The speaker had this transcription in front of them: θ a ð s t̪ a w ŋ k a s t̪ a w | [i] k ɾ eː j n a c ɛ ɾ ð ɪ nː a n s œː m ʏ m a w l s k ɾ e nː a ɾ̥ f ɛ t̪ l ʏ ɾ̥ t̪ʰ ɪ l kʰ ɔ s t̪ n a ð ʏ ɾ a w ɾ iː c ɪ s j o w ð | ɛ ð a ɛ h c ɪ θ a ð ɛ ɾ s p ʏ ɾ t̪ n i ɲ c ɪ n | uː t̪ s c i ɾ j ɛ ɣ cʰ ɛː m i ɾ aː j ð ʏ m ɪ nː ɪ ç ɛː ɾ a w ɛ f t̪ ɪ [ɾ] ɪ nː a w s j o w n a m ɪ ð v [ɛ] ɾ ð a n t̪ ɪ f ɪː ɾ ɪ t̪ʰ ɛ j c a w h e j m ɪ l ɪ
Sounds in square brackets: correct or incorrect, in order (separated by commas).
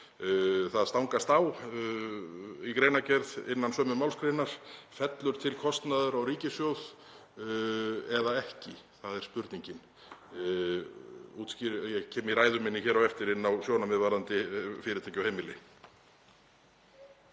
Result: correct, correct, incorrect